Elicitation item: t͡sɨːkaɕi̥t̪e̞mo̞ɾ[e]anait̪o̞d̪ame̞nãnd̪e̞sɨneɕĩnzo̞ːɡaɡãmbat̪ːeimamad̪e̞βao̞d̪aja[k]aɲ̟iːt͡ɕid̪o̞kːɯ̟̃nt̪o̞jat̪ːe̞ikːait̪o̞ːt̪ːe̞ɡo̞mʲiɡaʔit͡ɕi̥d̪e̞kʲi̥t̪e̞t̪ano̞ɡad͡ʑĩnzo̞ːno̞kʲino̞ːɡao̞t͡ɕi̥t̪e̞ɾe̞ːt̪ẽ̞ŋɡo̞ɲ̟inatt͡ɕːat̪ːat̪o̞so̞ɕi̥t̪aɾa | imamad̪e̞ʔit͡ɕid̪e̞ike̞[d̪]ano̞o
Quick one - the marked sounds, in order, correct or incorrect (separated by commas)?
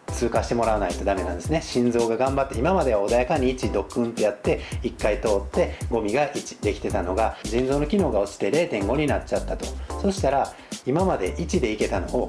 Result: incorrect, correct, incorrect